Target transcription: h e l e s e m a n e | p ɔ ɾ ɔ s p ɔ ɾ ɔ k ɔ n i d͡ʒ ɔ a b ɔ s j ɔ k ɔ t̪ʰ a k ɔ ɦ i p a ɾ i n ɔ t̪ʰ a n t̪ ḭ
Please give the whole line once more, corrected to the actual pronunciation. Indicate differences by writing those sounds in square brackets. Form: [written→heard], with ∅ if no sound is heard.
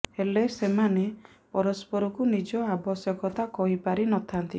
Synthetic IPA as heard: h e l e s e m a n e | p ɔ ɾ ɔ s p ɔ ɾ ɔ k [ɔ→u] n i d͡ʒ ɔ a b ɔ s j ɔ k ɔ [t̪ʰ→t̪] a k ɔ ɦ i p a ɾ i n ɔ t̪ʰ a n t̪ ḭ

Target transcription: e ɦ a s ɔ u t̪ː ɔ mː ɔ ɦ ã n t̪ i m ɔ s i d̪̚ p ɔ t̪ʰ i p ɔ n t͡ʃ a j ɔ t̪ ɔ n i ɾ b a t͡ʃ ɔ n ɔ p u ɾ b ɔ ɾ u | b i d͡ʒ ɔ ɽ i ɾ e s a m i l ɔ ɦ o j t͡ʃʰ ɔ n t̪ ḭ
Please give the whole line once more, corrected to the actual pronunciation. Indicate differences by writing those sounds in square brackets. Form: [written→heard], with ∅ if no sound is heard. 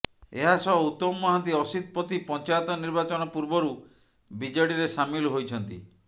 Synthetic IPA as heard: e ɦ a s ɔ u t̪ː ɔ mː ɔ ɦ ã n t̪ i [m→∅] ɔ s i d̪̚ p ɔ [t̪ʰ→t̪] i p ɔ n t͡ʃ a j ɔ t̪ ɔ n i ɾ b a t͡ʃ ɔ n ɔ p u ɾ b ɔ ɾ u | b i d͡ʒ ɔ ɽ i ɾ e s a m i l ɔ ɦ o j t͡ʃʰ ɔ n t̪ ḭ

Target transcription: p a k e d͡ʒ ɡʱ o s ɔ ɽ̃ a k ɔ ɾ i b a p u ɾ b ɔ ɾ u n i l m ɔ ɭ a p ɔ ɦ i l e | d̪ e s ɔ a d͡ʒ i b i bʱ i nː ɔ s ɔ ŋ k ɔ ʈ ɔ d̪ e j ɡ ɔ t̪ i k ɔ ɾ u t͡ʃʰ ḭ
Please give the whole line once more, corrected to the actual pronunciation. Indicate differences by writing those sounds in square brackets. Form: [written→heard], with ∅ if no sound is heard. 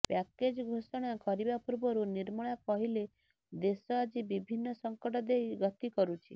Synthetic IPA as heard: p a k e d͡ʒ ɡʱ o s ɔ ɽ̃ a k ɔ ɾ i b a p u ɾ b ɔ ɾ u n i [l→ɾ] m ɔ ɭ a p ɔ ɦ i l e | d̪ e s ɔ a d͡ʒ i b i bʱ i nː ɔ s ɔ ŋ k ɔ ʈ ɔ d̪ e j ɡ ɔ t̪ i k ɔ ɾ u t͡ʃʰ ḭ

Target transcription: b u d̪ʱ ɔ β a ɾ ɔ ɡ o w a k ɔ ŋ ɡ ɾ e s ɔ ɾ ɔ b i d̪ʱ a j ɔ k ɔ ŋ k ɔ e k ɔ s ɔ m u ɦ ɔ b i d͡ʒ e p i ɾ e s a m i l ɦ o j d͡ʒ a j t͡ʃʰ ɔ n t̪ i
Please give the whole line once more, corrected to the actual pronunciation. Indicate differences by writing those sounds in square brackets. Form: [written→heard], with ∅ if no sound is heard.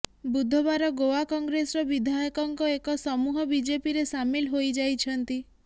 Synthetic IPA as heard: b u d̪ʱ ɔ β a ɾ ɔ ɡ o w a k ɔ ŋ ɡ ɾ e s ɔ ɾ ɔ b i d̪ʱ a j ɔ k ɔ ŋ k ɔ e k ɔ s ɔ m u ɦ ɔ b i d͡ʒ e p i ɾ e s a m i l ɦ o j d͡ʒ a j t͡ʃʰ ɔ n t̪ i

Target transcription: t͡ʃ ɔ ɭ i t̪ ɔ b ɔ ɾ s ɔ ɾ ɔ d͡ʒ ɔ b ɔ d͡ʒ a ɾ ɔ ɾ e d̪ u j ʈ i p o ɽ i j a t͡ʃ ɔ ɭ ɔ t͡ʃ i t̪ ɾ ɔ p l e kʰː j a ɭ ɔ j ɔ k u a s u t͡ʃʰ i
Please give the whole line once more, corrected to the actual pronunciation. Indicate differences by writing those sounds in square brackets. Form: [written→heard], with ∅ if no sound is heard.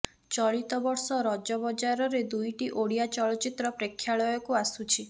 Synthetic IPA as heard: t͡ʃ ɔ ɭ i t̪ ɔ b ɔ ɾ s ɔ ɾ ɔ d͡ʒ ɔ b ɔ d͡ʒ a ɾ ɔ ɾ e d̪ u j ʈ i [p→ʔ] o ɽ i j a t͡ʃ ɔ ɭ ɔ t͡ʃ i t̪ ɾ ɔ p [l→ɾ] e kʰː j a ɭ ɔ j ɔ k u a s u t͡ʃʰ i

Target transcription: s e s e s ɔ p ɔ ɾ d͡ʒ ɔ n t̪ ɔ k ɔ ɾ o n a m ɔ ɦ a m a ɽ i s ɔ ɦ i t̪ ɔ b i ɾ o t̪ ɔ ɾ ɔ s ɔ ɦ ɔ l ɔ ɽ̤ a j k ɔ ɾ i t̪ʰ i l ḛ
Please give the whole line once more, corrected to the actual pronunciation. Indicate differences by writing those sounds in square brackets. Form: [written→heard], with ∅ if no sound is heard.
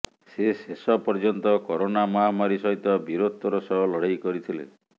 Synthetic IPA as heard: s e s e s ɔ p ɔ ɾ d͡ʒ ɔ n t̪ ɔ k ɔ ɾ o n a m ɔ ɦ a m a [ɽ→ɾ] i s ɔ ɦ i t̪ ɔ b i ɾ o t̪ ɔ ɾ ɔ s ɔ ɦ ɔ l ɔ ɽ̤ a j k ɔ ɾ i t̪ʰ i l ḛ

